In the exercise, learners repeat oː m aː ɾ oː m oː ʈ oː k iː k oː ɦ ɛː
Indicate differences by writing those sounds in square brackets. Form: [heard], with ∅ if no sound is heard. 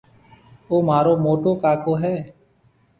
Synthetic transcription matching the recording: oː m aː ɾ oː m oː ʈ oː k [aː] k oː ɦ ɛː